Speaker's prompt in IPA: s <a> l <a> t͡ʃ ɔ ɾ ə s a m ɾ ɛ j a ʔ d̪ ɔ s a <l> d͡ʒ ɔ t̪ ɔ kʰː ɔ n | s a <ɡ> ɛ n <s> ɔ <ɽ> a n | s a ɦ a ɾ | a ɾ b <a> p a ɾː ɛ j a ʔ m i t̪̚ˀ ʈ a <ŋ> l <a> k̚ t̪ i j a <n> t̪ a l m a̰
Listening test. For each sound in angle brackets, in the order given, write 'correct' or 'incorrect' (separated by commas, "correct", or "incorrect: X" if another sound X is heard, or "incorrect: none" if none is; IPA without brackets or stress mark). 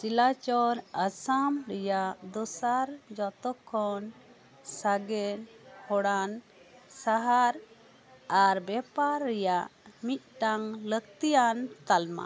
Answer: incorrect: i, correct, incorrect: ɾ, correct, incorrect: h, correct, incorrect: ɛ, correct, incorrect: ə, correct